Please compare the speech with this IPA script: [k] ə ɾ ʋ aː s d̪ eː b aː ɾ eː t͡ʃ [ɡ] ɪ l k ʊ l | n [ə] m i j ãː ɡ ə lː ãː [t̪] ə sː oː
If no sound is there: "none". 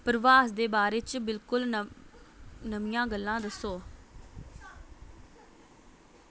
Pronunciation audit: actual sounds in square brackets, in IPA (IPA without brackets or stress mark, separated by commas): p, b, ə, d̪